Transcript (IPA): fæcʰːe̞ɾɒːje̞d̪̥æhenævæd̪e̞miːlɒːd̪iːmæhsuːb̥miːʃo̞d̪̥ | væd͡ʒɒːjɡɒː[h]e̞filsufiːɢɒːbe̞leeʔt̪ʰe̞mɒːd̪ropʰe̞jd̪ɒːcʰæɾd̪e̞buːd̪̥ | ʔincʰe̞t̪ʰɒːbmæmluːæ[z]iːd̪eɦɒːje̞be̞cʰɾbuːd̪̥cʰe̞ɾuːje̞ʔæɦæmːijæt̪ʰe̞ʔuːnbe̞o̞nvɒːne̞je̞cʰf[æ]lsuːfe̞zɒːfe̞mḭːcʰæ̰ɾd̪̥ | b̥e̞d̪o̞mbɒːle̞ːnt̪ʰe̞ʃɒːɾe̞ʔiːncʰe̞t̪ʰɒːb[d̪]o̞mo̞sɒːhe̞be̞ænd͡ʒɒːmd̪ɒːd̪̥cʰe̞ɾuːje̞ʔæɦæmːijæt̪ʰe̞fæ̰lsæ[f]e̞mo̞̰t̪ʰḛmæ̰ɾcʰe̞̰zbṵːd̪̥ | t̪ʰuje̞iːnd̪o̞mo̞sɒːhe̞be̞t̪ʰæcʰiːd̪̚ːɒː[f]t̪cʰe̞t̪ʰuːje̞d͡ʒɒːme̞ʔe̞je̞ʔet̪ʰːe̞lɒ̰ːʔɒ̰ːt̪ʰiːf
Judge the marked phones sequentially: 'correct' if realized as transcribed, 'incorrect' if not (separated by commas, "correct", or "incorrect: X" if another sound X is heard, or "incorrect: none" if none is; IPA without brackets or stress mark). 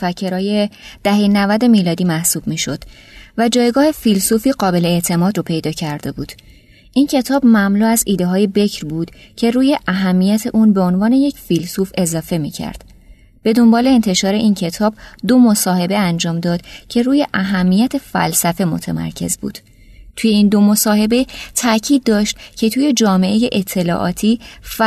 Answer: correct, correct, incorrect: i, correct, correct, incorrect: ʃ